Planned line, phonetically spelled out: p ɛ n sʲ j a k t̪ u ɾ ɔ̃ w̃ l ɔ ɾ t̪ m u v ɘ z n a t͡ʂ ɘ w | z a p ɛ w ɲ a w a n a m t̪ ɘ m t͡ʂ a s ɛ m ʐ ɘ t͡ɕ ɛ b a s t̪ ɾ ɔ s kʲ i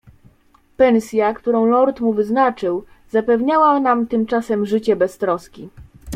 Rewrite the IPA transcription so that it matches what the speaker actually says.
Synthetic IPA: p ɛ n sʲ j a k t̪ u ɾ ɔ̃ w̃ l ɔ ɾ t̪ m u v ɘ z n a t͡ʂ ɘ w | z a p ɛ v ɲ a w a n a m t̪ ɘ m t͡ʂ a s ɛ m ʐ ɘ t͡ɕ ɛ b ɛ s t̪ ɾ ɔ s kʲ i

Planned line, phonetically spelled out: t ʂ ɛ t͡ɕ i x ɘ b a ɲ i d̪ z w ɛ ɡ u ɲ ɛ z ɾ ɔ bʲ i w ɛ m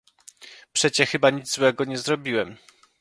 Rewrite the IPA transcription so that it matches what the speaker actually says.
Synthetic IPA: p ʂ ɛ t͡ɕ ɛ x ɘ b a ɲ i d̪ z w ɛ ɡ ɔ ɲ ɛ z ɾ ɔ bʲ i w ɛ m

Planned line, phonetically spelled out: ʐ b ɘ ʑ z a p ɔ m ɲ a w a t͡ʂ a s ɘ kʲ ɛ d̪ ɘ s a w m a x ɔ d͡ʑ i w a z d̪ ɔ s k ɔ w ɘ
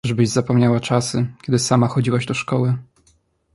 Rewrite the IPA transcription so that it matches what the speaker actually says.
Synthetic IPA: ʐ b ɘ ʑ z a p ɔ m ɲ a w a t͡ʂ a s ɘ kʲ ɛ d̪ ɘ s a m a x ɔ d͡ʑ i w a ʑ d̪ ɔ ʂ k ɔ w ɘ

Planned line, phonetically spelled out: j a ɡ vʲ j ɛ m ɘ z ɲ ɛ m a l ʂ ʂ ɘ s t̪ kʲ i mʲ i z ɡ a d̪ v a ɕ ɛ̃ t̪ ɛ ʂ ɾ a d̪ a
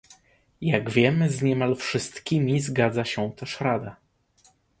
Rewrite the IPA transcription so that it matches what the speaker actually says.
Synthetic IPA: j a ɡ vʲ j ɛ m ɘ z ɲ ɛ m a l f ʂ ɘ s t̪ kʲ i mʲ i z ɡ a d̪ z a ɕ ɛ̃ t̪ ɛ ʂ ɾ a d̪ a

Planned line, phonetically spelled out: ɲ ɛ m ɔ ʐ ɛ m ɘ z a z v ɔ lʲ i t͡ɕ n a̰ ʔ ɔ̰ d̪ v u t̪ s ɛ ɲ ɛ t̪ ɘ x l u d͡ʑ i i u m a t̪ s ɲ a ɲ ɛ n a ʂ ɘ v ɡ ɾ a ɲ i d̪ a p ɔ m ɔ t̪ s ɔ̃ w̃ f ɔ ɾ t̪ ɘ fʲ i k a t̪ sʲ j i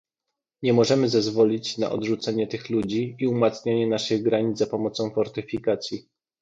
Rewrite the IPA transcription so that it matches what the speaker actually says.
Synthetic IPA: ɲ ɛ m ɔ ʐ ɛ m ɘ z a z v ɔ lʲ i t͡ɕ n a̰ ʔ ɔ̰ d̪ ʐ u t̪ s ɛ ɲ ɛ t̪ ɘ x l u d͡ʑ i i u m a t̪ s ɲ a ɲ ɛ n a ʂ ɘ ɣ ɡ ɾ a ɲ i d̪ a p ɔ m ɔ t̪ s ɔ̃ w̃ f ɔ ɾ t̪ ɘ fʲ i k a t̪ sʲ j i

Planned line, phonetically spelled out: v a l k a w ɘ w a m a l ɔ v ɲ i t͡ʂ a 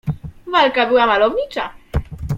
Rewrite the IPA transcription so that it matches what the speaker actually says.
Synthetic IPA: v a l k a b ɘ w a m a l ɔ v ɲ i t͡ʂ a

